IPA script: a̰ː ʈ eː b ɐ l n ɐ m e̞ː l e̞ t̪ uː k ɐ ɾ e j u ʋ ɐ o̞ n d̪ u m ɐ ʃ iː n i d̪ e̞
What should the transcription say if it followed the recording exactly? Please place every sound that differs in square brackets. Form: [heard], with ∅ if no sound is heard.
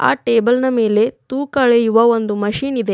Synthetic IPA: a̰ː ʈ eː b ɐ l n ɐ m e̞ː l e̞ t̪ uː k ɐ [ɭ] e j u ʋ ɐ o̞ n d̪ u m ɐ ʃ iː n i d̪ e̞